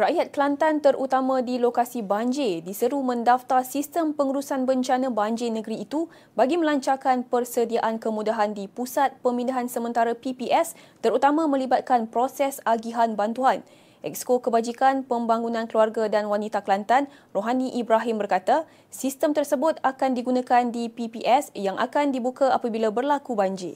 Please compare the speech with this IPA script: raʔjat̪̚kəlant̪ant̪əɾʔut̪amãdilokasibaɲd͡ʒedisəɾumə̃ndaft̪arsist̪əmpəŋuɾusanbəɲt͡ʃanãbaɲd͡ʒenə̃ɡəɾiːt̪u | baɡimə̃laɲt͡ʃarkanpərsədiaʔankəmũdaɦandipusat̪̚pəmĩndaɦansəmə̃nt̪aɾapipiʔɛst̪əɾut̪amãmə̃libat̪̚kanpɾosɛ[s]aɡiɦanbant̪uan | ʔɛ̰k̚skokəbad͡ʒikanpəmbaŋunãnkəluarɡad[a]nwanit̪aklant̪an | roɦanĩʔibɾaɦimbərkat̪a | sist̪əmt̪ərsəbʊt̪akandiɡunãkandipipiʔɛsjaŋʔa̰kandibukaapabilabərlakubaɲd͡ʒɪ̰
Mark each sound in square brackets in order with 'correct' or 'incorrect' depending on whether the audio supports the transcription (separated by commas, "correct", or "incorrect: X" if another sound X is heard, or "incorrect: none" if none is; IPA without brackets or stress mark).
correct, correct